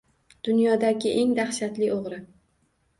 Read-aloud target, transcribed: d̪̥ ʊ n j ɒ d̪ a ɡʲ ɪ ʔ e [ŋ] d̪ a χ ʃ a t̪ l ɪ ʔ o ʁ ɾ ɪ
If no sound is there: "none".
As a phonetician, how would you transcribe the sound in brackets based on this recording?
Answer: ŋ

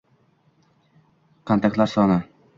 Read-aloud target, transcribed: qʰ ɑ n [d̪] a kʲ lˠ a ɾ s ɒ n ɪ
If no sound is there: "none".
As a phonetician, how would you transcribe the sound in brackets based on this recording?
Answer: t̪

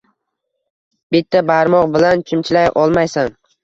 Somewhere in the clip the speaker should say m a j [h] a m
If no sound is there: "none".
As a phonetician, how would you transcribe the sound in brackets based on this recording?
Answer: s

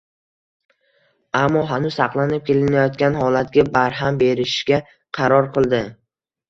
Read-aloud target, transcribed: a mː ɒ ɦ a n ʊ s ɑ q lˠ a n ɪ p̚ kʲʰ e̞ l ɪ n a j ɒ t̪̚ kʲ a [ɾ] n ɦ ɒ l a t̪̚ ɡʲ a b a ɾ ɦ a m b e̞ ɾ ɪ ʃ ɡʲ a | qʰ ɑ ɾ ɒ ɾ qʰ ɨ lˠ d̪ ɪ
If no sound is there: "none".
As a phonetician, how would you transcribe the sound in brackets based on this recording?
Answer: none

